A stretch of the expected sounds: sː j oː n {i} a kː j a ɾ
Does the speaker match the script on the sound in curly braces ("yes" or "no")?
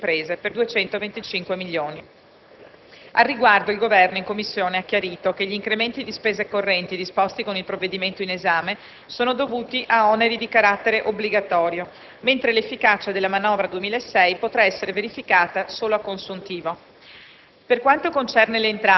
no